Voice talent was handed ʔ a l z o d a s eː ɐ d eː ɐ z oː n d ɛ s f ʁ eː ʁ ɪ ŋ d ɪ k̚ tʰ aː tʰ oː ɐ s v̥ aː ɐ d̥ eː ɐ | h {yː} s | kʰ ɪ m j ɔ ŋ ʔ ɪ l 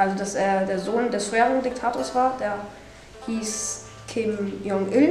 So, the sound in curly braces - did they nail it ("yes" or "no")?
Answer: no